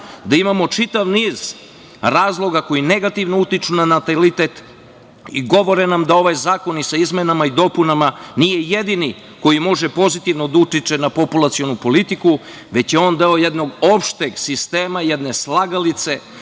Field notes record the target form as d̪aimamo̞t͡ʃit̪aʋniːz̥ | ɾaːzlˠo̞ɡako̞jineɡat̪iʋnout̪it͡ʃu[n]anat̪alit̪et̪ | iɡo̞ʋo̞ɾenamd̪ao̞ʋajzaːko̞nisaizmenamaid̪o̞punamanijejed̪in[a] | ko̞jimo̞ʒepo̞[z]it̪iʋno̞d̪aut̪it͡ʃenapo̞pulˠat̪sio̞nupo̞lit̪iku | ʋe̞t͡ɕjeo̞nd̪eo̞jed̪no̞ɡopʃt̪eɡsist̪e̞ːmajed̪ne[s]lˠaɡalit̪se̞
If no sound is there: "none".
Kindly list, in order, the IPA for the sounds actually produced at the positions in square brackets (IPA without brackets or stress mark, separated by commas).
n, i, z, s